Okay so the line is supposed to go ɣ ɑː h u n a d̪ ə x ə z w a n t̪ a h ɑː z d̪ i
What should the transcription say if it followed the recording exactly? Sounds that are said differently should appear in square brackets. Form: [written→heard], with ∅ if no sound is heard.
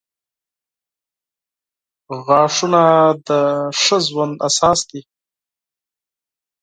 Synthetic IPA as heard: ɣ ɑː [h→ʂ] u n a d̪ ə [x→ʂ] ə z w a n [t̪→d̪] a [h→s] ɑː [z→s] d̪ i